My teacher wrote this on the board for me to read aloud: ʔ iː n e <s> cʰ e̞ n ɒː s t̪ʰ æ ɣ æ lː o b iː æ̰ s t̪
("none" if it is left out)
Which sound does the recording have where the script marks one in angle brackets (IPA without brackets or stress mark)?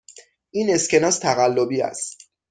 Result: s